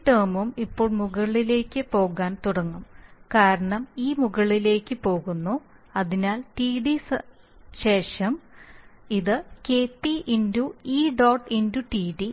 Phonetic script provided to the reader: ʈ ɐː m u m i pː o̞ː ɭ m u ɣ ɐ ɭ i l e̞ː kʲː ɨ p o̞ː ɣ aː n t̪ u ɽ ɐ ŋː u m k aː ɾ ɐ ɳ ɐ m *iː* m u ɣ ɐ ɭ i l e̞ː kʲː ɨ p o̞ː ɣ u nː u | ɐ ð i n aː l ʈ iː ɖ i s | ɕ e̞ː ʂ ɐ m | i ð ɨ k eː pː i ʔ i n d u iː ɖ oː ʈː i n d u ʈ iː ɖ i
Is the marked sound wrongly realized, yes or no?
no